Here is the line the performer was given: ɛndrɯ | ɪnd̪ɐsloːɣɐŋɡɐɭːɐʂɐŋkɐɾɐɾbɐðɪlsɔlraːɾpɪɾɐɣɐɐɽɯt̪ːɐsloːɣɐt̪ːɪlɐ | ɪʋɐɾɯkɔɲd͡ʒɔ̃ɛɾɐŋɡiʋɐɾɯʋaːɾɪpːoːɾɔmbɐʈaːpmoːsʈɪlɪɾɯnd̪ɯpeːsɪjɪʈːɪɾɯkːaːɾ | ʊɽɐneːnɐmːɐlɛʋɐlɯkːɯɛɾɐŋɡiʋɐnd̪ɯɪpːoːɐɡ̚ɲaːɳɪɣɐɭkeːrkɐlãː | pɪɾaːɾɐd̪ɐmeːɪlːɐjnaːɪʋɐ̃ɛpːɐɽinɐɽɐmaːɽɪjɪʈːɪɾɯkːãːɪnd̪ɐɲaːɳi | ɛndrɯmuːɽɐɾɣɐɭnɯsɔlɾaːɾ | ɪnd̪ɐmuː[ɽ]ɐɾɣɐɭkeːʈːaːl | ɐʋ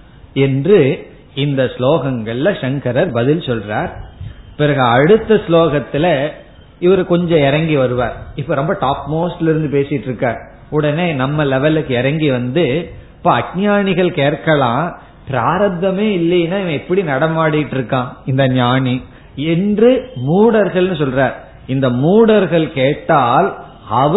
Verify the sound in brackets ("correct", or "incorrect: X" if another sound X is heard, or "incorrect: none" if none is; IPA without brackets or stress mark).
correct